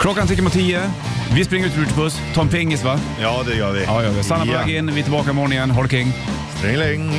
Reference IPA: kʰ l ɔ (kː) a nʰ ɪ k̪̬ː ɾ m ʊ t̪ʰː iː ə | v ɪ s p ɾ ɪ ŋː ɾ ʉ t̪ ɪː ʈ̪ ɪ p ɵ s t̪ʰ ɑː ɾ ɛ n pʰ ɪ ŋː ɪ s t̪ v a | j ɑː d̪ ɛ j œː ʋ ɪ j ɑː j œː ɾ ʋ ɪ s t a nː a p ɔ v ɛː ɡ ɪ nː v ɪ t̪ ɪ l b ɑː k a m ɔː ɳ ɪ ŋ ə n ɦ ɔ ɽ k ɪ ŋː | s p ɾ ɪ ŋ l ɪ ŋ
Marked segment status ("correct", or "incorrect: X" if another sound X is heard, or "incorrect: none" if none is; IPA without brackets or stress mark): correct